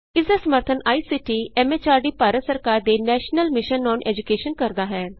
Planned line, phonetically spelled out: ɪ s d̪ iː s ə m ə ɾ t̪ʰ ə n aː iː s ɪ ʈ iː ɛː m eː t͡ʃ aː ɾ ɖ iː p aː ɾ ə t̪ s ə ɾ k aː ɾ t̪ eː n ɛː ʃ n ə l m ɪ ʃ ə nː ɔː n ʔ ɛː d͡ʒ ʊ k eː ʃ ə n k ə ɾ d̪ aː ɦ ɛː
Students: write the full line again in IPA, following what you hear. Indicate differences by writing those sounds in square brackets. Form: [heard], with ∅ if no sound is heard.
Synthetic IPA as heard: ɪ s d̪ [aː] s ə m ə ɾ t̪ʰ ə n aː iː s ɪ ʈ iː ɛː m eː t͡ʃ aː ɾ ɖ iː p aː ɾ ə t̪ s ə ɾ k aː ɾ [d̪] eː n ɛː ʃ n ə l m ɪ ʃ ə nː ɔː n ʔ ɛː d͡ʒ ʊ k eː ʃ ə n k ə ɾ d̪ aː ɦ ɛː